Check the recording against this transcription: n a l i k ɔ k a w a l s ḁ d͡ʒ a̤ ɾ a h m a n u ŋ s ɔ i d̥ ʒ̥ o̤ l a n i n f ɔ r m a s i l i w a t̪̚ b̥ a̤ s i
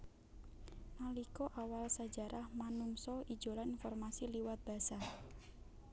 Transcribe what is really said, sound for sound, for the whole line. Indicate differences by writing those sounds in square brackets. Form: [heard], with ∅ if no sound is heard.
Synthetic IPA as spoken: n a l i k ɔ [ʔ] a w a l s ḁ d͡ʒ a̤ ɾ a h m a n u ŋ s ɔ i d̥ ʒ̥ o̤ l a n i n f ɔ r m a s i l i w a t̪̚ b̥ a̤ s [a]